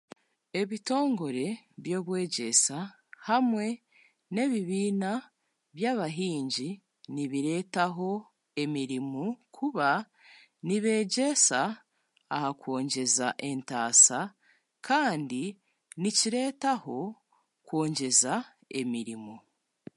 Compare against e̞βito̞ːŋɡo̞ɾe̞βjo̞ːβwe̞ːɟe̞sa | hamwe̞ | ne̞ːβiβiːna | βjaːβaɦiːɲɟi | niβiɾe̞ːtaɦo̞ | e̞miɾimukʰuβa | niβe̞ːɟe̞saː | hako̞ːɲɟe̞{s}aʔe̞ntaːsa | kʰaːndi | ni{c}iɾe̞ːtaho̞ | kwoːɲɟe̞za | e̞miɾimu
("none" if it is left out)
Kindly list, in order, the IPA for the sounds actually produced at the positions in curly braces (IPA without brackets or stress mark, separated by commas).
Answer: z, c